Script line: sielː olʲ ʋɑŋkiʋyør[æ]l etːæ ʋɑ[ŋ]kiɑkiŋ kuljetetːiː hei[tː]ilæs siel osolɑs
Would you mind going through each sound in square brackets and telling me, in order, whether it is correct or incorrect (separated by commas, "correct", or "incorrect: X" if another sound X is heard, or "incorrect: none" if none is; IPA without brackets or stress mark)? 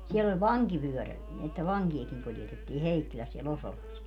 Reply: correct, correct, incorrect: kː